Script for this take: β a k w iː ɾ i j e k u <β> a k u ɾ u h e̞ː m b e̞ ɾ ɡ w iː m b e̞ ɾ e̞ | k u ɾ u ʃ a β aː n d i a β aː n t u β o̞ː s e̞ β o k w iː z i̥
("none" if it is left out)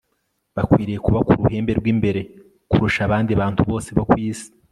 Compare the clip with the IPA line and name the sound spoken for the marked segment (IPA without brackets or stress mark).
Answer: β